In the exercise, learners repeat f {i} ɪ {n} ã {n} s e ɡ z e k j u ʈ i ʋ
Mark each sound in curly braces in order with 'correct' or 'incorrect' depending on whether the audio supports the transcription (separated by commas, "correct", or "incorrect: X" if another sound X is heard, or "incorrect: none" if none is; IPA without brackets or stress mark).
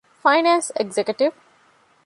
incorrect: a, correct, correct